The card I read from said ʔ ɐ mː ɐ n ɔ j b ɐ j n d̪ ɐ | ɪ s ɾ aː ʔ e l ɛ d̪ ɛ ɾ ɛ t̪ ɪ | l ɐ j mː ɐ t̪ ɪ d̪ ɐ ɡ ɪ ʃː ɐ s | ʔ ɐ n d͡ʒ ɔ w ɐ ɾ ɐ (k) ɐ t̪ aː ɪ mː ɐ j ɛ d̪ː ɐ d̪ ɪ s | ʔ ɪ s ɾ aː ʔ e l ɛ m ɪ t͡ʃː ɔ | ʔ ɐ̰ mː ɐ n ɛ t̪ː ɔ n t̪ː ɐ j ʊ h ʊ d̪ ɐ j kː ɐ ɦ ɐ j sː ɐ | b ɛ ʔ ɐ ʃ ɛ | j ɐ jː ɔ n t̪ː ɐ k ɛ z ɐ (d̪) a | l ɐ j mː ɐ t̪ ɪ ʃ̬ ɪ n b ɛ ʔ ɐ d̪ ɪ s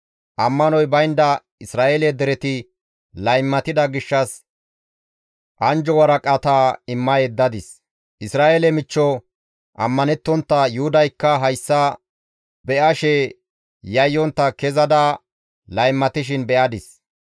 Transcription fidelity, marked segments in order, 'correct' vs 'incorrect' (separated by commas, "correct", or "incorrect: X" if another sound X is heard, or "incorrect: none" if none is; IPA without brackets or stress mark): incorrect: kʼ, correct